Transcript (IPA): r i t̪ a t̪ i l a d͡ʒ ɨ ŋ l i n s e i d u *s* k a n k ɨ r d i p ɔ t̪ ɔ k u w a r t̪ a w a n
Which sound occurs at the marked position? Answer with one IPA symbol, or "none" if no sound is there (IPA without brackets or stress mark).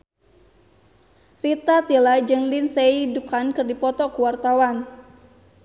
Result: none